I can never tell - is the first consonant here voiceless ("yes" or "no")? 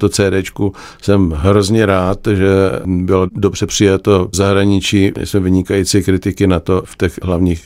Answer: yes